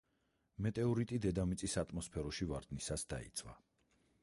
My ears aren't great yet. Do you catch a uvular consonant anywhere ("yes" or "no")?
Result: no